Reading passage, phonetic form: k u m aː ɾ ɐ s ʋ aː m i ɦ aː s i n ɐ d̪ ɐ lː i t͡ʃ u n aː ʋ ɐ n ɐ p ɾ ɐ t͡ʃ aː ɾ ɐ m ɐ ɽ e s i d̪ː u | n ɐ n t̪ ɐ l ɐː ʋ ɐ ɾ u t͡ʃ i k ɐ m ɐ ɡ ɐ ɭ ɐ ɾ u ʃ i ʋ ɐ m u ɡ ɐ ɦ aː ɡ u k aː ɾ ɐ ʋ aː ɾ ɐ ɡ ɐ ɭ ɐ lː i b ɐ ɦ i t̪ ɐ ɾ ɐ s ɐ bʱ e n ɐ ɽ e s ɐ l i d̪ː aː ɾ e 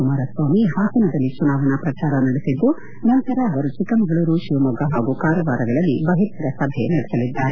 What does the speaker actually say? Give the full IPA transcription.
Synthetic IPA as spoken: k u m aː ɾ ɐ s ʋ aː m i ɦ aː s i n ɐ d̪ ɐ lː i t͡ʃ u n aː ʋ ɐ n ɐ p ɾ ɐ t͡ʃ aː ɾ ɐ n ɐ ɽ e s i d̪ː u | n ɐ n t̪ ɐ ɾ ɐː ʋ ɐ ɾ u t͡ʃ i k ɐ m ɐ ɡ ɐ ɭ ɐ ɾ u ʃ i ʋ ɐ m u ɡ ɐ ɦ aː ɡ u k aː ɾ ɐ ʋ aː ɾ ɐ ɡ ɐ ɭ ɐ lː i b ɐ ɦ i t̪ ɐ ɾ ɐ s ɐ bʱ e n ɐ ɽ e s ɐ l i d̪ː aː ɾ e